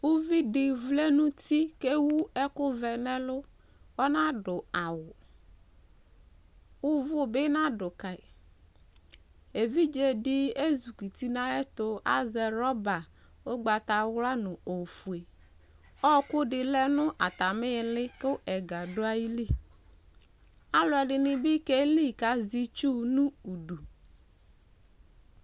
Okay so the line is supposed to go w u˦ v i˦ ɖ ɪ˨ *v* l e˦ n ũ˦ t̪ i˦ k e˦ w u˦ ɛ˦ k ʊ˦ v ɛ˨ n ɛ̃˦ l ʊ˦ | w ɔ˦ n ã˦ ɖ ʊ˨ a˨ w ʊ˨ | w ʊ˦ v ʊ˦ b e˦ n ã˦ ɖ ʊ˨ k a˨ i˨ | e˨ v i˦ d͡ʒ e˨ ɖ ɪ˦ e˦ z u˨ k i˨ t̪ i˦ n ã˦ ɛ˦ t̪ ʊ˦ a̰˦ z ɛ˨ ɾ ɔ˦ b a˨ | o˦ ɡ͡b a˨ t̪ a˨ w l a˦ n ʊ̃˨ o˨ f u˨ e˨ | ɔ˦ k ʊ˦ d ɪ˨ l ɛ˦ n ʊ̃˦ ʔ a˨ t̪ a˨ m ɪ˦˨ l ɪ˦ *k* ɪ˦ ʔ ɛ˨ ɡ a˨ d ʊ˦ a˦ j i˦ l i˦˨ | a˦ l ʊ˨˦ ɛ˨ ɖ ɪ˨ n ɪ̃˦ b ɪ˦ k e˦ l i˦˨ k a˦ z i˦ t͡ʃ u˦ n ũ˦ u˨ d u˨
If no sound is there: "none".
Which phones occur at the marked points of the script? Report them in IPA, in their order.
v, k

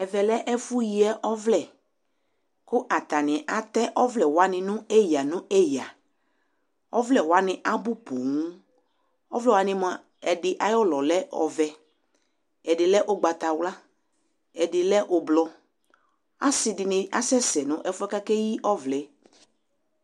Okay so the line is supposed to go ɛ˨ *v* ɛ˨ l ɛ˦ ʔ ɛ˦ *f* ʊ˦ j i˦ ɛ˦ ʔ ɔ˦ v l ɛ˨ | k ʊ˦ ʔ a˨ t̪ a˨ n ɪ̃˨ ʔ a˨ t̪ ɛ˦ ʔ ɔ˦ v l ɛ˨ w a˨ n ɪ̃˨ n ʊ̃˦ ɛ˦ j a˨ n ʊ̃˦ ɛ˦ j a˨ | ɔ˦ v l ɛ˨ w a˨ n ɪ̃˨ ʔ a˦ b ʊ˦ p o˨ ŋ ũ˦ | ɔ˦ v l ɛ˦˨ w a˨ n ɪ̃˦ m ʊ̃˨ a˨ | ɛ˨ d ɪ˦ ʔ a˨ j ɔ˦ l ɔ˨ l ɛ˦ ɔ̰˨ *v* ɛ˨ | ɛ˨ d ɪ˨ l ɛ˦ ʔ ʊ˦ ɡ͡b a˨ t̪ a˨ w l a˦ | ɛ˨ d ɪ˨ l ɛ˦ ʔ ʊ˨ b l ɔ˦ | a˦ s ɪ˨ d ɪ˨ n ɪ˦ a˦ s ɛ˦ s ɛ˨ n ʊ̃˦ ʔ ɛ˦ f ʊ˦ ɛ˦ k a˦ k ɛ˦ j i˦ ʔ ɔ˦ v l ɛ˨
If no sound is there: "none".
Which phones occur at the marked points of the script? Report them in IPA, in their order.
v, f, v

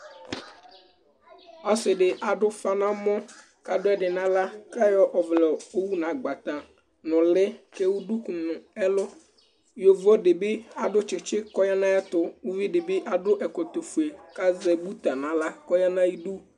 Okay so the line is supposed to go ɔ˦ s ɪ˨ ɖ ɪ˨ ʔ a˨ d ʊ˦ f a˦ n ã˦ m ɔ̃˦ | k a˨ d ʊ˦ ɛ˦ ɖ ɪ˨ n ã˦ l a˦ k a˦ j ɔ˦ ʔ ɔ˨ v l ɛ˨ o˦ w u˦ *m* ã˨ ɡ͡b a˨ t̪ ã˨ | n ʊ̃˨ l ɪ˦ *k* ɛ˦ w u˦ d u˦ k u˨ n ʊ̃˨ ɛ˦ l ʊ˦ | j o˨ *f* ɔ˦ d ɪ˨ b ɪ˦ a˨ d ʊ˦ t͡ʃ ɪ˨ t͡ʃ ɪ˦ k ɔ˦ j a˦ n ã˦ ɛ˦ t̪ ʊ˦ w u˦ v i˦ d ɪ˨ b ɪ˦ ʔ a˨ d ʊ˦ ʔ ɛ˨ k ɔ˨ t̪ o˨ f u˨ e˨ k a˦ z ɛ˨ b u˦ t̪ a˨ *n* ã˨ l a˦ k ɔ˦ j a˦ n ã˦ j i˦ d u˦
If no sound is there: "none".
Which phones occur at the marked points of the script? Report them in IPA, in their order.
n, k, v, n

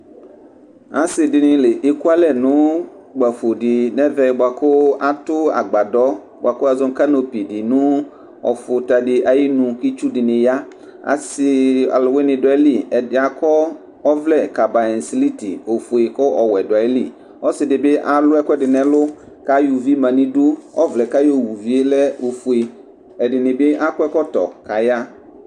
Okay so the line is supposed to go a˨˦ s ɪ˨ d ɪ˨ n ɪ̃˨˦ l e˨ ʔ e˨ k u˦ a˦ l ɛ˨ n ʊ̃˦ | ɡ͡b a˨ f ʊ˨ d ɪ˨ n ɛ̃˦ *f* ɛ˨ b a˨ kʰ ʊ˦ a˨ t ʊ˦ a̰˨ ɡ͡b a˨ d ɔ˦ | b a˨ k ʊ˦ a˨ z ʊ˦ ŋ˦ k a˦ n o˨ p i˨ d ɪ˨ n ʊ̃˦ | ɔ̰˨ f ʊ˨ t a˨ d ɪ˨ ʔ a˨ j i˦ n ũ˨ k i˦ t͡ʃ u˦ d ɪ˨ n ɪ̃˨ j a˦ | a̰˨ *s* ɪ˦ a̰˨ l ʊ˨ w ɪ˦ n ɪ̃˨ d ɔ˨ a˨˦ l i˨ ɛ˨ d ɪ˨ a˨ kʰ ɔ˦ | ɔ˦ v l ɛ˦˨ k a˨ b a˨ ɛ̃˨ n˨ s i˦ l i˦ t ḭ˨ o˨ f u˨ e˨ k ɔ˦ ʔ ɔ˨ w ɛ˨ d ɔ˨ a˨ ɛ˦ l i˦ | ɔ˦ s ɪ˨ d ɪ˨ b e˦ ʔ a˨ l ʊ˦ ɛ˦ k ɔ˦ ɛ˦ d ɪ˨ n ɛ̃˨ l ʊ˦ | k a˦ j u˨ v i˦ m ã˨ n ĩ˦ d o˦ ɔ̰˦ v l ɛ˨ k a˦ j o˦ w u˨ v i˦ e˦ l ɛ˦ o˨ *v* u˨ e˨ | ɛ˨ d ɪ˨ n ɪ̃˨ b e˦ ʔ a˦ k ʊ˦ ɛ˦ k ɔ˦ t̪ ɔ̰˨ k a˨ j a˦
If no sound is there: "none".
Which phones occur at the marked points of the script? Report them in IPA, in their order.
v, s, f

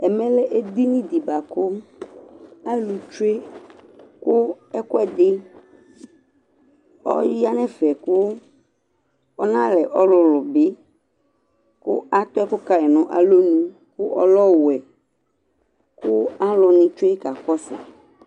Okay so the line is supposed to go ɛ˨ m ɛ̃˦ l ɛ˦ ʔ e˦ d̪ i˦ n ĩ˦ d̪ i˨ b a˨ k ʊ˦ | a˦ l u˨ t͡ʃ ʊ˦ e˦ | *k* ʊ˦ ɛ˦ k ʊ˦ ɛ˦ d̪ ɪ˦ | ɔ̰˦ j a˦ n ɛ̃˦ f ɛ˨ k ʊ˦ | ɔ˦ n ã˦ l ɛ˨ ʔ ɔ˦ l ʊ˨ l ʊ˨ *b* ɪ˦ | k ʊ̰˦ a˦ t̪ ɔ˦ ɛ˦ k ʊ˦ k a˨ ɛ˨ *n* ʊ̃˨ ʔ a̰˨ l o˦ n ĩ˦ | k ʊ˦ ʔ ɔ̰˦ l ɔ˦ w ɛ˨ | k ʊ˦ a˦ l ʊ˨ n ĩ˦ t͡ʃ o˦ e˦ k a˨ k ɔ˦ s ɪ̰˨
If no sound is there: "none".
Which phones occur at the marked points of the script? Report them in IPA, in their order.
k, b, n

